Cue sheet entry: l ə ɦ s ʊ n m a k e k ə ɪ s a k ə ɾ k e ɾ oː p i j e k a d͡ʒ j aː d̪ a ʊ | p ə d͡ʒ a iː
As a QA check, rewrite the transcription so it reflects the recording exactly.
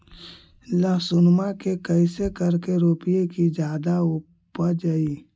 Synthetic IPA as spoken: l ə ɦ s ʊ n m a k e k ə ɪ s e k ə ɾ k e ɾ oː p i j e k i d͡ʒ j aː d̪ a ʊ | p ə d͡ʒ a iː